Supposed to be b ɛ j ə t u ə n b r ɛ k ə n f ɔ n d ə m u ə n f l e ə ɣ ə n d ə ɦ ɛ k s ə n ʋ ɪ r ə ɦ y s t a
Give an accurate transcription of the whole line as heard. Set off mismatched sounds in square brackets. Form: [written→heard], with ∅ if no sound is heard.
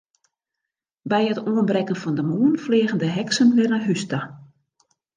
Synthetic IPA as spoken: b ɛ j ə t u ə n b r ɛ k ə n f ɔ n d ə m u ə n f l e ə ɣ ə n d ə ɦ ɛ k s ə n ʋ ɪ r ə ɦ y s t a